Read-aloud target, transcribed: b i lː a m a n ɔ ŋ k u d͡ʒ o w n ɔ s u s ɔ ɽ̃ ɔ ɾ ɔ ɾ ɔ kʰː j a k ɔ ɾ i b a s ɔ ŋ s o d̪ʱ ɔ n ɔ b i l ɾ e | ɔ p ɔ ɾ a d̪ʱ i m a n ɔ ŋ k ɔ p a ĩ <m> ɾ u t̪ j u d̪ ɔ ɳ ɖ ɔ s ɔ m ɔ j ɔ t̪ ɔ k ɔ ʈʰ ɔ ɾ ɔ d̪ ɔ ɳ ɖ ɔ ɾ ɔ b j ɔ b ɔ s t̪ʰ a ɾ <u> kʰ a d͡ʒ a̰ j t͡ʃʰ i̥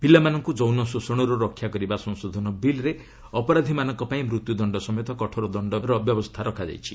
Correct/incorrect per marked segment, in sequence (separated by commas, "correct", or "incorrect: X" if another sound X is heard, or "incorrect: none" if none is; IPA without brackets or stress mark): correct, incorrect: ɔ